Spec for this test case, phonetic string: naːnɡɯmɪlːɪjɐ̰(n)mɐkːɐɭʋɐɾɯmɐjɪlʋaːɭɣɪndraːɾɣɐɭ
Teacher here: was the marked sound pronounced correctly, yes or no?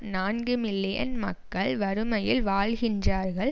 yes